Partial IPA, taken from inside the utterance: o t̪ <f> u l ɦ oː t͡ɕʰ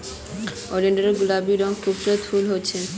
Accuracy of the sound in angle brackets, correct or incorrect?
correct